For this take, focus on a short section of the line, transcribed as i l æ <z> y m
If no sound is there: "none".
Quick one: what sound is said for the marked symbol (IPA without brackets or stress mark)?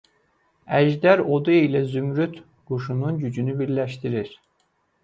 z